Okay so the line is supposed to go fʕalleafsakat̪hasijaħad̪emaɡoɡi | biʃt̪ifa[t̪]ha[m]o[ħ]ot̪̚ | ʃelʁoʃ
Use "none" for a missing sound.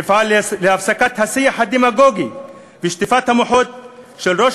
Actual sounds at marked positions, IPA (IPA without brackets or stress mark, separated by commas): t̪, m, ħ